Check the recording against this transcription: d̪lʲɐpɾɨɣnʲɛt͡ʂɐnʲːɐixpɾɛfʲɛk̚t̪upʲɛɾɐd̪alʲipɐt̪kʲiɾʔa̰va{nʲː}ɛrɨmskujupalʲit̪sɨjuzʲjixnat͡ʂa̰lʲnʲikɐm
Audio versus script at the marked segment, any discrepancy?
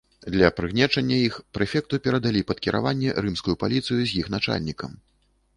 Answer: no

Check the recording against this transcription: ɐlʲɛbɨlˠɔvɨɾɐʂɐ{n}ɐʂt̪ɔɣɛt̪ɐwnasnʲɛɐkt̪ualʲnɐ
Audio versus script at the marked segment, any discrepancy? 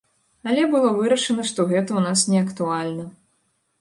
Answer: no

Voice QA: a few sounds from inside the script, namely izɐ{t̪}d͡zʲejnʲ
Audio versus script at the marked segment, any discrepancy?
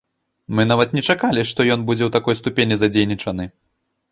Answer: yes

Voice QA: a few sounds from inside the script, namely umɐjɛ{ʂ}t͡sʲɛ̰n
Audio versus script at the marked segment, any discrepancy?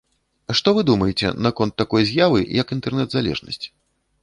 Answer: yes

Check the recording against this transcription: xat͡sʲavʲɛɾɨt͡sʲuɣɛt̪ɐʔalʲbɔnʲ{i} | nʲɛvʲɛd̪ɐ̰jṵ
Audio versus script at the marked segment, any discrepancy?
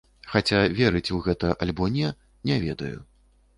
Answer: yes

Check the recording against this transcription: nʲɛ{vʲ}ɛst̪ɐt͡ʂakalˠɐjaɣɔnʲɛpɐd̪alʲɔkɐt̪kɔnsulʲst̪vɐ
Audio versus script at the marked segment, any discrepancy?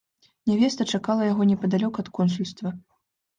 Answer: no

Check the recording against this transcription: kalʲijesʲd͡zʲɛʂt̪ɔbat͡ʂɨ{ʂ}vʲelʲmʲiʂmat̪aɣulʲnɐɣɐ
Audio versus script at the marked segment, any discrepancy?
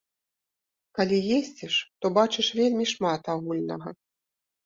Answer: no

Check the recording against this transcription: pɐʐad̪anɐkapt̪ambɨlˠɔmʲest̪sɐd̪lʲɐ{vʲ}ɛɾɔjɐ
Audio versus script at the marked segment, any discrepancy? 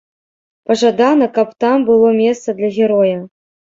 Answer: yes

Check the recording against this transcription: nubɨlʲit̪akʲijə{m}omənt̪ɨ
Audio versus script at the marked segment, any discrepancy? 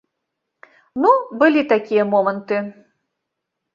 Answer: no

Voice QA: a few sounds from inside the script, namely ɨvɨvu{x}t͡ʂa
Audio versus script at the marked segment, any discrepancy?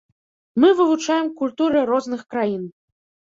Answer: yes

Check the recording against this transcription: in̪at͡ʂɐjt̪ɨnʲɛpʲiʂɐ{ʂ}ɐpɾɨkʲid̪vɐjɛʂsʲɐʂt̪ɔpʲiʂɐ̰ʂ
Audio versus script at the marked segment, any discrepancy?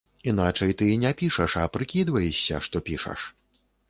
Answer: no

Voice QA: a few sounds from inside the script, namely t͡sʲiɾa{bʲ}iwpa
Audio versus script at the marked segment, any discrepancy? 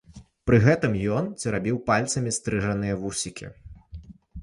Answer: no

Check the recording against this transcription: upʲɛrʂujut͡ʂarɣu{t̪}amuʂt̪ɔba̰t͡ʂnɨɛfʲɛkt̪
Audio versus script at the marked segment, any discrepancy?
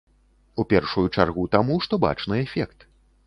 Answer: no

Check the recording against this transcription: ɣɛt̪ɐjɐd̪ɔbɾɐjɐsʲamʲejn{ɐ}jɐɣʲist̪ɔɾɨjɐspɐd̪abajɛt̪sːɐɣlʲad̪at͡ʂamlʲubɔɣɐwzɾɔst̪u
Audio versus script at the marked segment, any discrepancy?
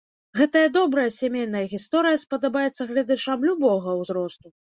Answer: no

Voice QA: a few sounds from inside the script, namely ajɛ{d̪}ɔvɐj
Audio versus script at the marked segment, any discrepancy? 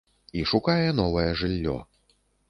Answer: yes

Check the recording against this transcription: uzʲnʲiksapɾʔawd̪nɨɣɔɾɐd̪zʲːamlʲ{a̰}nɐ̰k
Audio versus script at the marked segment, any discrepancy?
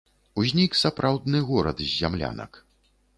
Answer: no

